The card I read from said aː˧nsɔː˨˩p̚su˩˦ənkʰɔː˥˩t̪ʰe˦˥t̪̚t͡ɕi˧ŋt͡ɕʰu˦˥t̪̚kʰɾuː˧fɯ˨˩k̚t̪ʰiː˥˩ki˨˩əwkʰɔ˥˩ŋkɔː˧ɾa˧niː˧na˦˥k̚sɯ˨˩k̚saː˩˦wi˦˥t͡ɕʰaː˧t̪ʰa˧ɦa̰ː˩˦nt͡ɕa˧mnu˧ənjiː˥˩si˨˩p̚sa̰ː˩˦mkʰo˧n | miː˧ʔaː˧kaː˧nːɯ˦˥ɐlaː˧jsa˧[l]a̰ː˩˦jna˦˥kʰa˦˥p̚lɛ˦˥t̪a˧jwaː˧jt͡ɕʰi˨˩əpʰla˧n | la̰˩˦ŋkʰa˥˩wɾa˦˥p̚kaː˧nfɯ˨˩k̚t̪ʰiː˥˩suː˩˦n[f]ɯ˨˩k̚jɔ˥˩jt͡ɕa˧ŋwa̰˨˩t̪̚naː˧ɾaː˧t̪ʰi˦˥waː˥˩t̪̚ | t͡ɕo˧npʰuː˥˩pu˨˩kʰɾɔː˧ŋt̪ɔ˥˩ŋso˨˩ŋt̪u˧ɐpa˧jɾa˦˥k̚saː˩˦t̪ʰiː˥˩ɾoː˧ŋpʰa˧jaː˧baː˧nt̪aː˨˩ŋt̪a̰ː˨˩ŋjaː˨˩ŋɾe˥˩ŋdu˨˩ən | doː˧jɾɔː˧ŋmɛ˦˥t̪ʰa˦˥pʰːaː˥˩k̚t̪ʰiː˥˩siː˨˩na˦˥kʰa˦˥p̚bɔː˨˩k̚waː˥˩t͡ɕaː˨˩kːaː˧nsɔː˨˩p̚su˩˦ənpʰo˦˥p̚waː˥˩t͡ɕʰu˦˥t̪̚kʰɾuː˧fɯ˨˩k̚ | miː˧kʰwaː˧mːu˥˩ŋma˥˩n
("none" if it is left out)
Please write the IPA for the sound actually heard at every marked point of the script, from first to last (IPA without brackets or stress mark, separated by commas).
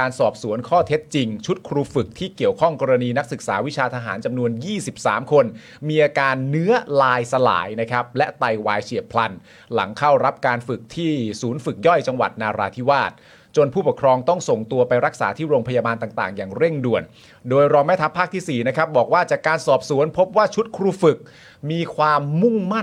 l, f